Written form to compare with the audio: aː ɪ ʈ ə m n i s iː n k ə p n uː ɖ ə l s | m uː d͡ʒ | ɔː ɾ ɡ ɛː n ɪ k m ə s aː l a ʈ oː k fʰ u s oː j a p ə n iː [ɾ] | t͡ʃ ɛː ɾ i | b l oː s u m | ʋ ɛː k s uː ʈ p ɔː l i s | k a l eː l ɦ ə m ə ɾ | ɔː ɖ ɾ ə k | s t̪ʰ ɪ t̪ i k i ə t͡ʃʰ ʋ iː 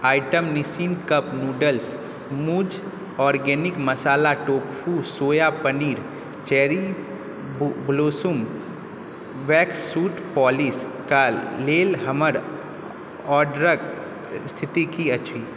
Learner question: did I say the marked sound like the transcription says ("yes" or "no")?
yes